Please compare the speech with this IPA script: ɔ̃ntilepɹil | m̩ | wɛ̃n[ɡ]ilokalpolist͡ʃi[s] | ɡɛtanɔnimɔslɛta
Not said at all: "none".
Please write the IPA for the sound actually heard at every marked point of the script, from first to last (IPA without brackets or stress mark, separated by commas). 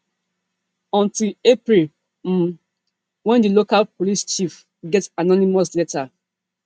d, f